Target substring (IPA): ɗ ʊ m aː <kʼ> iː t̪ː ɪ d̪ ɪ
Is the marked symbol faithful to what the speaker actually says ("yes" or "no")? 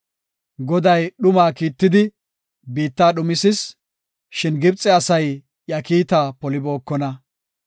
no